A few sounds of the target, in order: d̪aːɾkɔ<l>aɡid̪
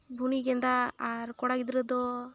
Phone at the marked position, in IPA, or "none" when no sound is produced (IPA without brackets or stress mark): ɽ